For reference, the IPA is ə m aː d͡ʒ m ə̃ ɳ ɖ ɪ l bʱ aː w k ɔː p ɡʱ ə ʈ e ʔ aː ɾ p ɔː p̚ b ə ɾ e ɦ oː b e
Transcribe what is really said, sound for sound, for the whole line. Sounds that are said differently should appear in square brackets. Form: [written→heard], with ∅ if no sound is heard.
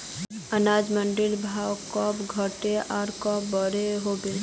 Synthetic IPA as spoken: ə [m→n] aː d͡ʒ m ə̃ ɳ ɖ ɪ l bʱ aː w k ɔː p ɡʱ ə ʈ e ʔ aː ɾ [p→k] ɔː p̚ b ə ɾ e ɦ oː b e